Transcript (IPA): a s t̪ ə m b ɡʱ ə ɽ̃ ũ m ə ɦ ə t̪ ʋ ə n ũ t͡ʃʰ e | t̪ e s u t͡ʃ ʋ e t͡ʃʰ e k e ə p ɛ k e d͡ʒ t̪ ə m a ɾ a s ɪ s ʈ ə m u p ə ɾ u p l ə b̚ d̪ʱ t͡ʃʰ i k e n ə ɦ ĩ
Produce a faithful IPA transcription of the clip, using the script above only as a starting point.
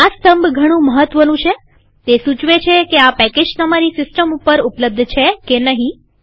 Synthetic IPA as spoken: a s t̪ ə m b ɡʱ ə ɽ̃ ũ m ə ɦ ə t̪ ʋ ə n ũ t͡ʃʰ e | t̪ e s u t͡ʃ ʋ e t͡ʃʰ e k e a p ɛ k e d͡ʒ t̪ ə m a ɾ i s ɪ s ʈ ə m u p ə ɾ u p l ə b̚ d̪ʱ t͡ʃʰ e k e n ə ɦ ĩ

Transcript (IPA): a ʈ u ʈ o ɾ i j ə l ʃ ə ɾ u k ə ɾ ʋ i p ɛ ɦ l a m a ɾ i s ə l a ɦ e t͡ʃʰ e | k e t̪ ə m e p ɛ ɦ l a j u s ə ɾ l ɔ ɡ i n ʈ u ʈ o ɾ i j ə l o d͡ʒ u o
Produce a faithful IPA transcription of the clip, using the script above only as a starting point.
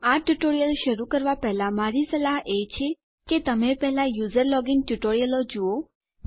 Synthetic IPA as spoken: a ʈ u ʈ o ɾ i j ə l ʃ ə ɾ u k ə ɾ ʋ a p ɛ ɦ l a m a ɾ i s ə l a ɦ e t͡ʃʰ e | k e t̪ ə m e p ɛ ɦ l a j u z ə ɾ l ɔ ɡ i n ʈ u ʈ o ɾ i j ə l o d͡ʒ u o

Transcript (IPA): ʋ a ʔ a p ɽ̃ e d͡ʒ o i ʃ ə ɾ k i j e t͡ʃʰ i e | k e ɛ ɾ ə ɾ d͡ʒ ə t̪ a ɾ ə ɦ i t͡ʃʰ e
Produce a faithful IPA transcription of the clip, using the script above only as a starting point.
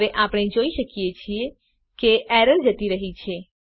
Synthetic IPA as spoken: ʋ e ʔ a p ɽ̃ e d͡ʒ o i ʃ ə k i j e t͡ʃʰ i e | k e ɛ ɾ ə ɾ d͡ʒ ə t̪ i ɾ ə ɦ i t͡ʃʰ e

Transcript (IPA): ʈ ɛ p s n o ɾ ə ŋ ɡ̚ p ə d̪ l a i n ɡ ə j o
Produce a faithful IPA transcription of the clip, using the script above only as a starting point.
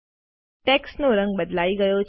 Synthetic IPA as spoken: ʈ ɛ k s n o ɾ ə ŋ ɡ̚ b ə d̪ l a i ɡ ə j o

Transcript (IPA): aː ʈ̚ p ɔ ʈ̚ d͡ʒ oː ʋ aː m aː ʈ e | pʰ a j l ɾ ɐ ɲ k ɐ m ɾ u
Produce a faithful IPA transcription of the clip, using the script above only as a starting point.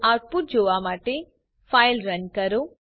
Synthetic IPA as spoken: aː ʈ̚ p u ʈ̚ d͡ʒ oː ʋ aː m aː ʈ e | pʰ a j l ɾ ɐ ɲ k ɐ ɾ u

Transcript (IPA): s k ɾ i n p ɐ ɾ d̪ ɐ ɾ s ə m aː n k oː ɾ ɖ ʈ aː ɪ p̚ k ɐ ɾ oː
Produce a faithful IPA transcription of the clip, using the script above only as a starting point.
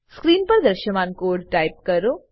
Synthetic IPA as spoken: s k ɾ iː n p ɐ ɾ d̪ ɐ ɾ ʃ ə m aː n k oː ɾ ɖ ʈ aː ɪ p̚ k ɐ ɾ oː

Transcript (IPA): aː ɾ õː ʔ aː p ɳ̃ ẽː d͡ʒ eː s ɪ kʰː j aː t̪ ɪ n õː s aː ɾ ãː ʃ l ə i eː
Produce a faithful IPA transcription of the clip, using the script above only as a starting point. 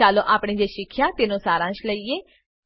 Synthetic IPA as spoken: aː l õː ʔ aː p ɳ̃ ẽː d͡ʒ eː ʃ ɪ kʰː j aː t̪ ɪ n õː s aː ɾ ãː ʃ l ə i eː

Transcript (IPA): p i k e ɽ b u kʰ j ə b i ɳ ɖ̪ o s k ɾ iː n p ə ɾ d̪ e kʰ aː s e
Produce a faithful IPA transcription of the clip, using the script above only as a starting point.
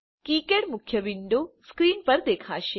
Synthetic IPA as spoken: k i k e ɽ m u kʰ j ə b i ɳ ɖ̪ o s k ɾ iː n p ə ɾ d̪ e kʰ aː ʃ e

